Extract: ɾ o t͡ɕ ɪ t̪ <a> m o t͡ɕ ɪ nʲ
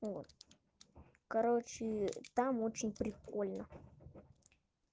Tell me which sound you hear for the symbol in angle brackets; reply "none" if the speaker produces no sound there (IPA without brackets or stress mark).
a